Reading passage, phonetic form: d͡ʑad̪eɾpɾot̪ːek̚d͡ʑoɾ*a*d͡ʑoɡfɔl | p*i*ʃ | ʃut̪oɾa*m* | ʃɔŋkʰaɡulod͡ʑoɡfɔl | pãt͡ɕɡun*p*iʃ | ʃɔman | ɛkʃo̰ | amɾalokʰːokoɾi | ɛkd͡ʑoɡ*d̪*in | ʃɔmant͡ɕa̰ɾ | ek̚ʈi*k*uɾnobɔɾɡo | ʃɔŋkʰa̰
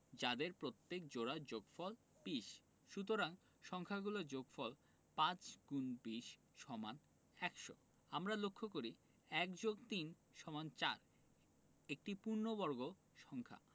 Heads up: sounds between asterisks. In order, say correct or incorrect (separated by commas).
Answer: correct, correct, incorrect, incorrect, incorrect, incorrect